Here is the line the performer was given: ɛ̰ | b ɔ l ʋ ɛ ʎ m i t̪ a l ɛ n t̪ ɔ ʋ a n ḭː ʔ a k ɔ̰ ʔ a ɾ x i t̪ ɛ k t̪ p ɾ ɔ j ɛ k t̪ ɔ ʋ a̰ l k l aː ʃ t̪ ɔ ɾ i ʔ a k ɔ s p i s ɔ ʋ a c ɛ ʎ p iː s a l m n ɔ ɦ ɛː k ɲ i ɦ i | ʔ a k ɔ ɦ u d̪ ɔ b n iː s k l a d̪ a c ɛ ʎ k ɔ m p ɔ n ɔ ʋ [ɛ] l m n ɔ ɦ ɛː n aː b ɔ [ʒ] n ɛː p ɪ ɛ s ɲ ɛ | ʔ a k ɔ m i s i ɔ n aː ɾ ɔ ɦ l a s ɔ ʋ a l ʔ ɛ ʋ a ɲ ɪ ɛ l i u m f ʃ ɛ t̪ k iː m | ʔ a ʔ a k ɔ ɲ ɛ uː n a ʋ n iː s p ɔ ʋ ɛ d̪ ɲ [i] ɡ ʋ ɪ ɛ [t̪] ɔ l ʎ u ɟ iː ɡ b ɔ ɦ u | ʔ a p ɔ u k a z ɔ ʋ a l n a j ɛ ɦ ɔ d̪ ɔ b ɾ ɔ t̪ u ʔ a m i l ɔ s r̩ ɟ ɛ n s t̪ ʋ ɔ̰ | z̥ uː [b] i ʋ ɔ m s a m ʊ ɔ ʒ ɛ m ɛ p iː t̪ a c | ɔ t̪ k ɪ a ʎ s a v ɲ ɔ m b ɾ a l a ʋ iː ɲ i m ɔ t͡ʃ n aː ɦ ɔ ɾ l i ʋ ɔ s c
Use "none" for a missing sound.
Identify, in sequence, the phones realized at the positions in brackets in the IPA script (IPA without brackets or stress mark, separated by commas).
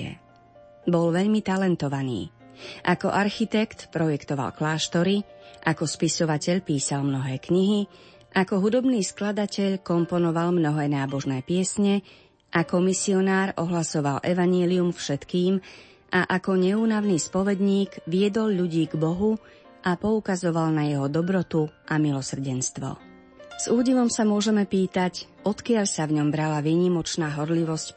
a, ʒ, iː, d̪, ɟ